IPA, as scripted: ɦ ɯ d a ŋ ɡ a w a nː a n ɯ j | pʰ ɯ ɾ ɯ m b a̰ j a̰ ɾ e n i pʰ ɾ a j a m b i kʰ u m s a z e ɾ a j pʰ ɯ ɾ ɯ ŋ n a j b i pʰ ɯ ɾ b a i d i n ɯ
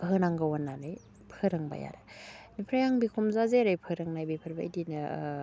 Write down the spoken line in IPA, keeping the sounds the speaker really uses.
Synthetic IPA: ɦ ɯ n a ŋ ɡ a w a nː a n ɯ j | pʰ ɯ ɾ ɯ ŋ b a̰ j a̰ ɾ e n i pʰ ɾ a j a ŋ b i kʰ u m z a z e ɾ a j pʰ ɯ ɾ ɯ ŋ n a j b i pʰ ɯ ɾ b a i d i n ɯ

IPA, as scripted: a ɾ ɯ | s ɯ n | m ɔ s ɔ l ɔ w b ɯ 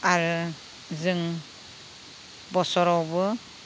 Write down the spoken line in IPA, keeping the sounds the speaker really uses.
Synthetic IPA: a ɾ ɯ | z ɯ ŋ | b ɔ s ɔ ɾ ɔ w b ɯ

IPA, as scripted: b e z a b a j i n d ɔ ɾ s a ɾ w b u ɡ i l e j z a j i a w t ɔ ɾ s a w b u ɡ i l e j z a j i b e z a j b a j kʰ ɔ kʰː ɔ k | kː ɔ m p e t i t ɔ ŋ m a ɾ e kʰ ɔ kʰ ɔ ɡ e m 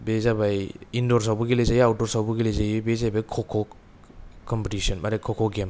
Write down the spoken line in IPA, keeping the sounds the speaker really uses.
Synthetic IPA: b e z a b a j i n d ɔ ɾ s a w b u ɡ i l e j z a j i a w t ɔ ɾ s a w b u ɡ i l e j z a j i b e z a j b a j kʰ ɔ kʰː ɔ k | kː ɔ m p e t i s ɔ n m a ɾ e kʰ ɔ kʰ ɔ ɡ e m

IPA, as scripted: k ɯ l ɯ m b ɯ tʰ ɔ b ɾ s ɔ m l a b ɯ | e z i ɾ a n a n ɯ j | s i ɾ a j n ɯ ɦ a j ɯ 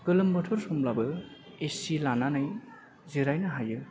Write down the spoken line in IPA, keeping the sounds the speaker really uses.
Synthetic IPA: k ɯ l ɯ m b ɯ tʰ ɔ ɾ s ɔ m l a b ɯ | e s i l a n a n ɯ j | z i ɾ a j n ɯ ɦ a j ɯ

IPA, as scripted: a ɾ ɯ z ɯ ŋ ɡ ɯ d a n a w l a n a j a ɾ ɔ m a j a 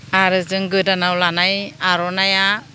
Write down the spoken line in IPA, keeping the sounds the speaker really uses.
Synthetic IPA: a ɾ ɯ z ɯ ŋ ɡ ɯ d a n a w l a n a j a ɾ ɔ n a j a

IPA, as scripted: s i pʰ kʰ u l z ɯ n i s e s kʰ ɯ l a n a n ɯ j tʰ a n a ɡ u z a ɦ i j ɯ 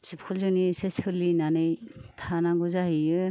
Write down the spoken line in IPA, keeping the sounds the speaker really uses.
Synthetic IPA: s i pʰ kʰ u l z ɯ n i s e s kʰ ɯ l i n a n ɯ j tʰ a n a ɡ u z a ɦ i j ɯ

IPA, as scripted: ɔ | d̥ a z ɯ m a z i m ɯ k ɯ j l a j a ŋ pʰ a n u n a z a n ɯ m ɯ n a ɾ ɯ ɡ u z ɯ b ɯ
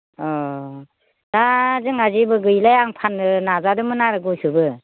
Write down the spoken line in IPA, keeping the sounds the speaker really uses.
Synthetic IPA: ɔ | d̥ a z ɯ ŋ a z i b ɯ ɡ ɯ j l a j a ŋ pʰ a n ɯ n a z a d ɯ m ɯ n a ɾ ɯ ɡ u s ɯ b ɯ

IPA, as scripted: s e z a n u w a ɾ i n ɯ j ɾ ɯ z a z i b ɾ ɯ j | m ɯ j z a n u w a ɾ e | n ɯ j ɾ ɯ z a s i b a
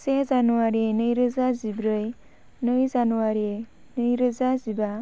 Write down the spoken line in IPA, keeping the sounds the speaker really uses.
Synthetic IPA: s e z a n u w a ɾ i n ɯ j ɾ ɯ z a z i b ɾ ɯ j | n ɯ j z a n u w a ɾ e | n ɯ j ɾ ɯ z a z i b a

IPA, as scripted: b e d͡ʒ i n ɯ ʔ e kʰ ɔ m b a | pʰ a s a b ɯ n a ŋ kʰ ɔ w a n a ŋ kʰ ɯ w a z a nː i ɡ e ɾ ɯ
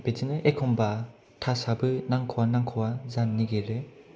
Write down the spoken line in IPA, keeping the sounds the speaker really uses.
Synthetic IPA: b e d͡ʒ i n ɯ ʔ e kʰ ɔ m b a | tʰ a s a b ɯ n a ŋ kʰ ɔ w a n a ŋ kʰ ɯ w a z a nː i ɡ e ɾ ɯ

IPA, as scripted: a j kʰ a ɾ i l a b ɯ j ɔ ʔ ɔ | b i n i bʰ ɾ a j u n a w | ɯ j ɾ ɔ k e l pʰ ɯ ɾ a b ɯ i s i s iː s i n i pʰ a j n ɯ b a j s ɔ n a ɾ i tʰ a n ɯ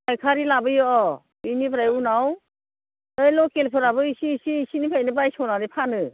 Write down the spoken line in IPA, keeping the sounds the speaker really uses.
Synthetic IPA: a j kʰ a ɾ i l a b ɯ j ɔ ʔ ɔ | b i n i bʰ ɾ a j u n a w | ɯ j l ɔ k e l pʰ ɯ ɾ a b ɯ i s i s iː s i n i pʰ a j n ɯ b a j s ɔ n a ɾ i pʰ a n ɯ

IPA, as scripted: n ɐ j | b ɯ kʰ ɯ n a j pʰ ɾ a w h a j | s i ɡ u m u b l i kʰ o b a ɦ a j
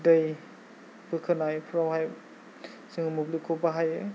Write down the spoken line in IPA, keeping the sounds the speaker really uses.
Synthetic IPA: d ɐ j | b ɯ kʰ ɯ n a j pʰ ɾ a w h a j | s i ŋ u m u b l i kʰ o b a ɦ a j

